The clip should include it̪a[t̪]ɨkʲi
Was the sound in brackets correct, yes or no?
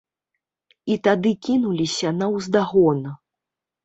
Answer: no